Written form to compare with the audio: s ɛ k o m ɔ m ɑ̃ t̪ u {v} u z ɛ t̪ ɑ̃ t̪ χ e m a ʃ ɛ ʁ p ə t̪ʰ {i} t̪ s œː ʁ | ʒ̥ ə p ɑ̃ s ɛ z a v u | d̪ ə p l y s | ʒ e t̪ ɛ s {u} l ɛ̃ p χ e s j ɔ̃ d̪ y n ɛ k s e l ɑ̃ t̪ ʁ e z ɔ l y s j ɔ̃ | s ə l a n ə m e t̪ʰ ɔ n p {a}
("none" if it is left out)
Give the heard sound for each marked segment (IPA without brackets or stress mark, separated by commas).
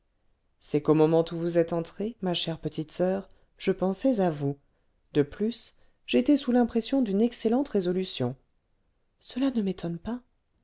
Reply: v, i, u, a